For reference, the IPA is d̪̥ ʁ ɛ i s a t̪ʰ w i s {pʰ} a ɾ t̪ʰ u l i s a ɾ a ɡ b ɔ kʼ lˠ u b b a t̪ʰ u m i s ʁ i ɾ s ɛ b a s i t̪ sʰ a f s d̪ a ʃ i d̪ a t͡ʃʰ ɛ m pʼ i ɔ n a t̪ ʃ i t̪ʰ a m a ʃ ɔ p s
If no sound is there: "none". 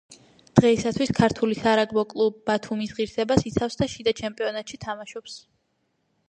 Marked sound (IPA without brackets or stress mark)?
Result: kʰ